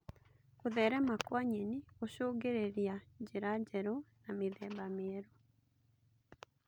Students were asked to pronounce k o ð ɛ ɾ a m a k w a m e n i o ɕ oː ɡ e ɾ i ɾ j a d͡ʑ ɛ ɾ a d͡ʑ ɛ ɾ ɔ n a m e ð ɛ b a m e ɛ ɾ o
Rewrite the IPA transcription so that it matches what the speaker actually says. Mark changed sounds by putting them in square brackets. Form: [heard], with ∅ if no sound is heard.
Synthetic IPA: k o ð ɛ ɾ [ɛ] m a k w a [ɲ] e n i o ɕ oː ɡ e ɾ [e] ɾ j a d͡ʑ [e] ɾ a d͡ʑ ɛ ɾ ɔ n a m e ð ɛ b a m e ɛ ɾ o